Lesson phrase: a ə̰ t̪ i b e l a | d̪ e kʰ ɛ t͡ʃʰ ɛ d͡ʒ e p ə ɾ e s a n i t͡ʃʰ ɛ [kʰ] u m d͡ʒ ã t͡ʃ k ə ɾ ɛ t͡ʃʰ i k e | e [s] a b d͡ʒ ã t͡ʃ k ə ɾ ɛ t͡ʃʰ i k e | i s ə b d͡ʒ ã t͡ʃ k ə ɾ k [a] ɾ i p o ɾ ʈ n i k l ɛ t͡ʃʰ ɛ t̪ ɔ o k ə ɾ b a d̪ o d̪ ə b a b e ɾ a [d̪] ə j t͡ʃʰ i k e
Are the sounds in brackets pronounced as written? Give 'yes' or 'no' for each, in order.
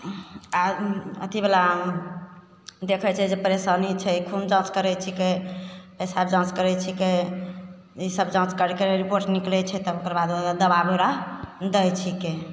yes, yes, no, yes

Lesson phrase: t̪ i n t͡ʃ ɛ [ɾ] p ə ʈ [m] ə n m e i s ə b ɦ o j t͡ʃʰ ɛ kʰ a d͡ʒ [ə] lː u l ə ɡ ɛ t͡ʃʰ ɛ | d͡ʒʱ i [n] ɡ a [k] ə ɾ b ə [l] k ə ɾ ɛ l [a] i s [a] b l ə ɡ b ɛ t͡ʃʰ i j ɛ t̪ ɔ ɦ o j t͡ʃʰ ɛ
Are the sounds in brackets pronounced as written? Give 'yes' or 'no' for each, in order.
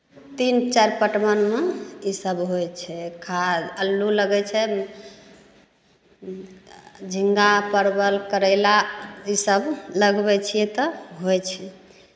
yes, yes, yes, no, no, yes, yes, no

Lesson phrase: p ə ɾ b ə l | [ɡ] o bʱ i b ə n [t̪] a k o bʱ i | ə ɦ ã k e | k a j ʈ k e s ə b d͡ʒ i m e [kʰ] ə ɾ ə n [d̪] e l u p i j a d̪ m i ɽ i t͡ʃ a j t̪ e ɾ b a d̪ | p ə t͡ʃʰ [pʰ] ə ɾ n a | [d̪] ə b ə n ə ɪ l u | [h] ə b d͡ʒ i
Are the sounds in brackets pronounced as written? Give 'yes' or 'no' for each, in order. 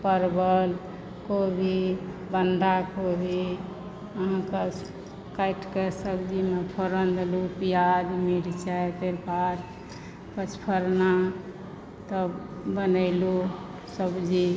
no, no, no, yes, yes, no, no

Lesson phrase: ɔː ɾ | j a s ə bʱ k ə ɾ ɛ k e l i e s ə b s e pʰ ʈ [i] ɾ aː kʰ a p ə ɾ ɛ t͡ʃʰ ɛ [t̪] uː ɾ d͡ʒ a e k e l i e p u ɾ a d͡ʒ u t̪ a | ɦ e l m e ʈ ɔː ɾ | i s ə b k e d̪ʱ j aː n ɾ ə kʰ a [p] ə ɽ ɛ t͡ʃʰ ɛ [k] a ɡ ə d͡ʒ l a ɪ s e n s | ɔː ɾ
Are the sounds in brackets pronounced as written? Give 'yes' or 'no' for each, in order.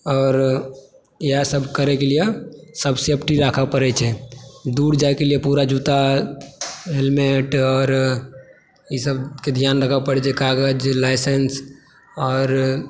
yes, no, yes, yes

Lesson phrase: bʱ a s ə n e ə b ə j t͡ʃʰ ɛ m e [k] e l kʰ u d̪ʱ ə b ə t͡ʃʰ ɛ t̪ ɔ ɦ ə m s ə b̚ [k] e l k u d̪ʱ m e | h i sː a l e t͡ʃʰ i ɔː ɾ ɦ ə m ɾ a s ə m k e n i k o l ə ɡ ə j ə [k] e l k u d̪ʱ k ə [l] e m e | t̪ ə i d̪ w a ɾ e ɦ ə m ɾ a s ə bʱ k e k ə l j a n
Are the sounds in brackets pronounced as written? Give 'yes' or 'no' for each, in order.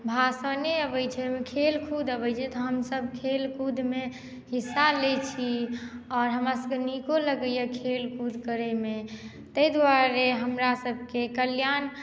no, no, no, no

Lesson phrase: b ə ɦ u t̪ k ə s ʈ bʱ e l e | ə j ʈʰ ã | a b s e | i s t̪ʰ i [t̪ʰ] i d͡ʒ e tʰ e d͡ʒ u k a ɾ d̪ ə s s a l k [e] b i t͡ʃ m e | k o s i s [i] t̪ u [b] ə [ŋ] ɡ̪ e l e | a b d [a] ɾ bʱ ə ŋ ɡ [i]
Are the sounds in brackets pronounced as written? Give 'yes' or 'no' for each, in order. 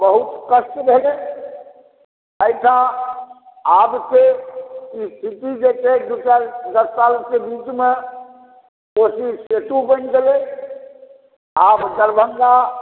no, yes, no, yes, no, no, no

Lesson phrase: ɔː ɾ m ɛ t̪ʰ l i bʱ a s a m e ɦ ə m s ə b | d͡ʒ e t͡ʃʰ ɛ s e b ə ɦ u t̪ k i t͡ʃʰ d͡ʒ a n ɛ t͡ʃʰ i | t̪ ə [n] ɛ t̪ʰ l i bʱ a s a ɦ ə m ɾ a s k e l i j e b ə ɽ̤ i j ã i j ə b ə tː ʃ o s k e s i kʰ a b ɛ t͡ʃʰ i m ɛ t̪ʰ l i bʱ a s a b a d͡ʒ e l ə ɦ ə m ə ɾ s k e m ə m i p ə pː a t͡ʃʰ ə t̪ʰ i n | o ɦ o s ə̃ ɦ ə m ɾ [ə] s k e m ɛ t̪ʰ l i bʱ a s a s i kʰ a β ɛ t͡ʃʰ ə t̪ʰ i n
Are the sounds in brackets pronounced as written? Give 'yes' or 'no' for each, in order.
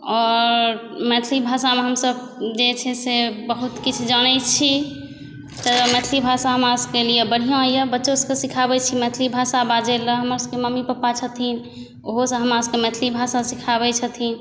no, no

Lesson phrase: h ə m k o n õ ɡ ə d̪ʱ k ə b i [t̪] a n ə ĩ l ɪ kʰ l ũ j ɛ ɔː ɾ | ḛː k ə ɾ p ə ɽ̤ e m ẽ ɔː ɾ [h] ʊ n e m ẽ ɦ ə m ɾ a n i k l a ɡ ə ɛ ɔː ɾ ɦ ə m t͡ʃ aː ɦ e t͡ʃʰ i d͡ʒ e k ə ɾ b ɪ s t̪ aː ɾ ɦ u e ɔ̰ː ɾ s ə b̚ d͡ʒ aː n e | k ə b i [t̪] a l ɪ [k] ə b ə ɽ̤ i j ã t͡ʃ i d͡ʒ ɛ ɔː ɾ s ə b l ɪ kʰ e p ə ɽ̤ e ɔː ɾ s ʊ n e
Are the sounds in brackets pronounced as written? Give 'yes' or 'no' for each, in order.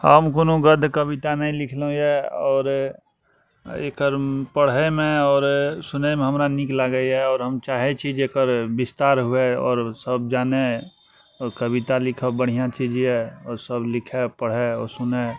yes, no, yes, no

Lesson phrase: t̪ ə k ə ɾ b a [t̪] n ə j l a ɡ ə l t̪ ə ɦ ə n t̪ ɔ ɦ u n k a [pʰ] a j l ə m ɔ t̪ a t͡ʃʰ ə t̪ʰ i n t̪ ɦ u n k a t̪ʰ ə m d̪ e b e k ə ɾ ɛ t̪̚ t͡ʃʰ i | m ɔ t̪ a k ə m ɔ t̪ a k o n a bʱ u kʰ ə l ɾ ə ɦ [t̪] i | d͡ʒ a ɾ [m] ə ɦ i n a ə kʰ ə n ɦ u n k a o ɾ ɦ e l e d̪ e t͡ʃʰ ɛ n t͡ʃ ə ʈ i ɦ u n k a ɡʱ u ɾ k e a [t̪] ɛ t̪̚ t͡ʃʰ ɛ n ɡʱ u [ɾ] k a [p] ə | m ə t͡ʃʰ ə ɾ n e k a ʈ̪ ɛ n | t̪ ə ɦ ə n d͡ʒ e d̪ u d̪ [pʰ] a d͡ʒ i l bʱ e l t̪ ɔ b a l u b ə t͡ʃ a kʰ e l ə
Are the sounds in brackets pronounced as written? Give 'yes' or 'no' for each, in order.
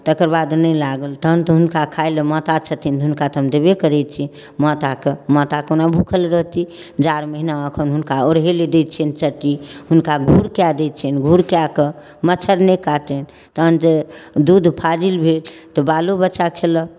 no, no, yes, yes, no, yes, no, yes

